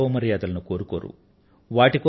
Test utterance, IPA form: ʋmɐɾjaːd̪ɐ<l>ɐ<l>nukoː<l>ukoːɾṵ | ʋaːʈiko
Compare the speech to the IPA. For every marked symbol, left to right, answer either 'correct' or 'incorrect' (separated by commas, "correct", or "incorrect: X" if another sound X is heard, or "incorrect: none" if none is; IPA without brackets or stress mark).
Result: correct, incorrect: none, incorrect: ɾ